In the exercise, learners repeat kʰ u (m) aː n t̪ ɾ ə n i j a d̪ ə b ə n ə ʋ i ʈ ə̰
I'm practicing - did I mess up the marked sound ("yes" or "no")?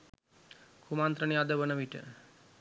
no